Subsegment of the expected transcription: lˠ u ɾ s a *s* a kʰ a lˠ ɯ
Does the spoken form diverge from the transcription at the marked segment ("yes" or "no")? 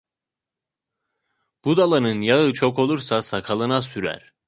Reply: no